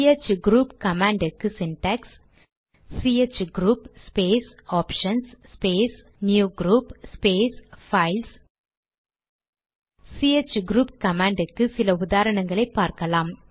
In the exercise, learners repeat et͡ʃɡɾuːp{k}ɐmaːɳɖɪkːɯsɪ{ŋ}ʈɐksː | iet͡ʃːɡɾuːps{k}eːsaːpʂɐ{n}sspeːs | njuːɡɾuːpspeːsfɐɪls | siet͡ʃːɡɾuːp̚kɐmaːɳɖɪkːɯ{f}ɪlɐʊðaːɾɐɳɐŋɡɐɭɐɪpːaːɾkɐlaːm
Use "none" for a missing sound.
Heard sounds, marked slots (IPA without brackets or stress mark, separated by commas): k, n, p, n, s